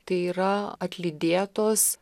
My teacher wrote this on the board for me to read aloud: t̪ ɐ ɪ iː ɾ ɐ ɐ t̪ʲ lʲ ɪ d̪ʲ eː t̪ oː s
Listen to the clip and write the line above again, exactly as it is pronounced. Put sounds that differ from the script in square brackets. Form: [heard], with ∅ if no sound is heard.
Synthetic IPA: t̪ ɐ ɪ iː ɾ ɐ ɐ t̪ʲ lʲ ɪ d̪ʲ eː t̪ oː s